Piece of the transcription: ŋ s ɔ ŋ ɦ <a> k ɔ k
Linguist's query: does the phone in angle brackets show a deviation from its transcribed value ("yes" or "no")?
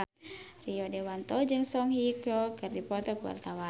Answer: yes